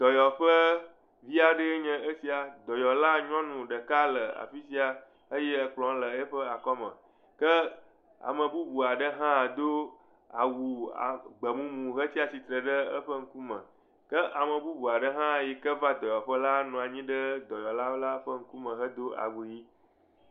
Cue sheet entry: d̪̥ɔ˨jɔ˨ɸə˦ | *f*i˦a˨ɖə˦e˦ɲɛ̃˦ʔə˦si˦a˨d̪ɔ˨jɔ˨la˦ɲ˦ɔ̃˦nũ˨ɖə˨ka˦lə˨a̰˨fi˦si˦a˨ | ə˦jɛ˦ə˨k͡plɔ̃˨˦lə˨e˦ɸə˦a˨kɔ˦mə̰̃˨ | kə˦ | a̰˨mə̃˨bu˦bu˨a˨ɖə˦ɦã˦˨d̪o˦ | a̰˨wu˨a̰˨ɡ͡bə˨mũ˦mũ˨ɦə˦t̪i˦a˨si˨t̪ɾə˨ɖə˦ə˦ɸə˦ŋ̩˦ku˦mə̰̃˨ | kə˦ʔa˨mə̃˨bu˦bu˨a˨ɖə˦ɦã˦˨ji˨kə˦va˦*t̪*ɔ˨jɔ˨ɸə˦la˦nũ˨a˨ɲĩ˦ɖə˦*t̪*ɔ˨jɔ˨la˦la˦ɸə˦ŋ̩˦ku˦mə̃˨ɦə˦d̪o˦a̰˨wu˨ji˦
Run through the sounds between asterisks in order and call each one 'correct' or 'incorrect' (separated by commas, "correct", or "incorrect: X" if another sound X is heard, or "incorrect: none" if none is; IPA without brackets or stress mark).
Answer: incorrect: v, incorrect: d̪, incorrect: d̪